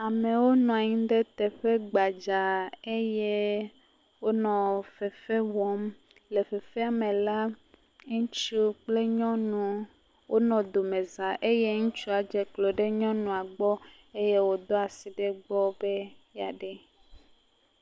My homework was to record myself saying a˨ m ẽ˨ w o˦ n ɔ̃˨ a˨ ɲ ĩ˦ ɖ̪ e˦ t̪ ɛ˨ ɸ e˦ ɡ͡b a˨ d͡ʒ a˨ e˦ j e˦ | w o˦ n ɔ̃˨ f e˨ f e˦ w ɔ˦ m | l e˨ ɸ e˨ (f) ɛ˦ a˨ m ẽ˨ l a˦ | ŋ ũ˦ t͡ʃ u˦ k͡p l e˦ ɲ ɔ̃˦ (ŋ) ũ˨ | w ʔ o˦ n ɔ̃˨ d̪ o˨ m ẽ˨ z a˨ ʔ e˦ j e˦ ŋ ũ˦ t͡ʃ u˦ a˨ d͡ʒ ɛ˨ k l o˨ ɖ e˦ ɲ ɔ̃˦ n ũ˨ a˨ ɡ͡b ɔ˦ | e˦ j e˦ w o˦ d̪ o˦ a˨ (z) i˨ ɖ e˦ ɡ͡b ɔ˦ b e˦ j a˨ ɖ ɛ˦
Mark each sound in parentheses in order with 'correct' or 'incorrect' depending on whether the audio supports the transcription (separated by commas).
correct, incorrect, incorrect